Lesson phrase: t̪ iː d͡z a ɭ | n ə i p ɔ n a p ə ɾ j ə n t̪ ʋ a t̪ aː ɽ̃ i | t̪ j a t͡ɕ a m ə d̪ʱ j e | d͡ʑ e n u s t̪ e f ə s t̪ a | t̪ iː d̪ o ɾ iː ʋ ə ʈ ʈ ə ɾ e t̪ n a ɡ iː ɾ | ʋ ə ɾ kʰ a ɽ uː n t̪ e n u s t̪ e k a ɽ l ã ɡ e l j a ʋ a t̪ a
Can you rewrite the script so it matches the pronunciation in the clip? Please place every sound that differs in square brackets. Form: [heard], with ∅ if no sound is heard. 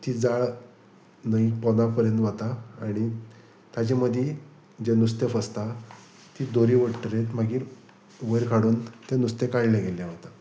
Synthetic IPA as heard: t̪ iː d͡z a ɭ | n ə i p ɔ n a p ə ɾ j ə n t̪ ʋ a t̪ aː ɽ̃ i | t̪ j a t͡ɕ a m ə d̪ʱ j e | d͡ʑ e n u s t̪ e f ə s t̪ a | t̪ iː d̪ o ɾ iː ʋ ə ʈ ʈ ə ɾ e t̪ [m] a ɡ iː ɾ | ʋ ə ɾ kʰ a ɽ uː n t̪ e n u s t̪ e k a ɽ l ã ɡ e l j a ʋ a t̪ a